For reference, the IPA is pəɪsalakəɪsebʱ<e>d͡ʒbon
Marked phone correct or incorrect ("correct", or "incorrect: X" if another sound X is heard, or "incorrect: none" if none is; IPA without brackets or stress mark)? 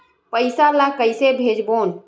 correct